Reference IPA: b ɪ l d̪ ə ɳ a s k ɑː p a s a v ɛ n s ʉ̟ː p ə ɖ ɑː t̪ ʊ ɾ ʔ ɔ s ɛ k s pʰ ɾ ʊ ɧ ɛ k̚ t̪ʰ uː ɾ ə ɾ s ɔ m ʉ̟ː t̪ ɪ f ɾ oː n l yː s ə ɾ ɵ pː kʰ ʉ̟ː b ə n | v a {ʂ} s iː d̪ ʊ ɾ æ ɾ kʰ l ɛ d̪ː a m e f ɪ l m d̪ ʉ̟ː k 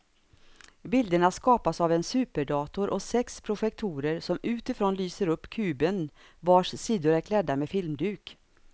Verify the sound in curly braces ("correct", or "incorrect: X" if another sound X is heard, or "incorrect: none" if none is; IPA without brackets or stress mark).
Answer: correct